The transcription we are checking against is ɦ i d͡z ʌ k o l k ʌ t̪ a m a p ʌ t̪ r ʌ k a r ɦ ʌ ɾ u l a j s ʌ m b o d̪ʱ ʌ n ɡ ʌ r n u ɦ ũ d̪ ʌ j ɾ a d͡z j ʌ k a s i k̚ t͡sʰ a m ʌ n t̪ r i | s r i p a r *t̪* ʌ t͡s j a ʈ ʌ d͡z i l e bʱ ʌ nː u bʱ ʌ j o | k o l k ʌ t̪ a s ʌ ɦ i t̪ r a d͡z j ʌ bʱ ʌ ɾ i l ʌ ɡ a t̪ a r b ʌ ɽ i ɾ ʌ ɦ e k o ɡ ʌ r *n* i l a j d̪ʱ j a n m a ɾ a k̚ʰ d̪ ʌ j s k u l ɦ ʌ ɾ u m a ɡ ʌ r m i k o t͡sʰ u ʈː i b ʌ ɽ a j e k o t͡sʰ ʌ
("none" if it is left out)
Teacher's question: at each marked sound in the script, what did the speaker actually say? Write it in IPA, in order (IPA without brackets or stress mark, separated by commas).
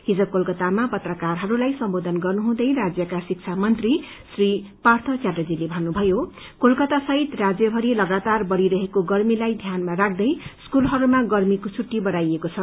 t̪ʰ, m